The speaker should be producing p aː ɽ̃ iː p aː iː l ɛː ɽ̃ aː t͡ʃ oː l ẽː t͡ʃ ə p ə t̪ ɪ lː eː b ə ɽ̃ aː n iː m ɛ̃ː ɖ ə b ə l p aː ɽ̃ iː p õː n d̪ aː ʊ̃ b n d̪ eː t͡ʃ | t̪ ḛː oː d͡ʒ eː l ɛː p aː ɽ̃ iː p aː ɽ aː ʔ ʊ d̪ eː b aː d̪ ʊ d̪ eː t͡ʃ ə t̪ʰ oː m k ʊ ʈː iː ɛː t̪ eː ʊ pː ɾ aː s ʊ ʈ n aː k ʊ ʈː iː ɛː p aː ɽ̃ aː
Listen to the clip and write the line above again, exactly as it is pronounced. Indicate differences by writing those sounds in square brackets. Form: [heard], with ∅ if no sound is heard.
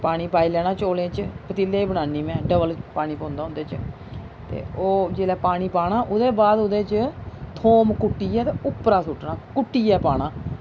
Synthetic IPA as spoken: p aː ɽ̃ iː p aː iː l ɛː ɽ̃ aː t͡ʃ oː l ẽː t͡ʃ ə p ə t̪ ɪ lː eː b ə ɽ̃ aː n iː m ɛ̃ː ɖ ə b ə l p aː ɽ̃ iː p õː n d̪ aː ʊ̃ [∅] n d̪ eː t͡ʃ | t̪ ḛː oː d͡ʒ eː l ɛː p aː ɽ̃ iː p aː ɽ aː ʔ ʊ d̪ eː b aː d̪ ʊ d̪ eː t͡ʃ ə t̪ʰ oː m k ʊ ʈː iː ɛː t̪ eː ʊ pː ɾ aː s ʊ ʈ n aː k ʊ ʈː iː ɛː p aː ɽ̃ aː